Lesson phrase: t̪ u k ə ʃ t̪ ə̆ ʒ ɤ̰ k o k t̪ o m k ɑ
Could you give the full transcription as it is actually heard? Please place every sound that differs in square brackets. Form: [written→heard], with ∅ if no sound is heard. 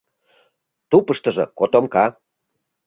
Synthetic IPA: t̪ u [k→p] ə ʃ t̪ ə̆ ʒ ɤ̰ k o [k→∅] t̪ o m k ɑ